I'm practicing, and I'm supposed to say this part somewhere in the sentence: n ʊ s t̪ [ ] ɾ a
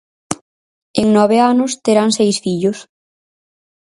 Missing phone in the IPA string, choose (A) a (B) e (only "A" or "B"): B